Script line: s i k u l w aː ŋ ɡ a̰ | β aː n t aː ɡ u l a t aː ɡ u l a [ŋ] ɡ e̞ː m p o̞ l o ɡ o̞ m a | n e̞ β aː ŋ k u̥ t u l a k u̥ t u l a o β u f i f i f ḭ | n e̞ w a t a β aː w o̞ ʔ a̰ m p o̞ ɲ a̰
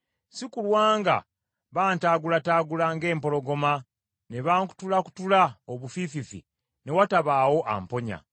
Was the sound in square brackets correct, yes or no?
yes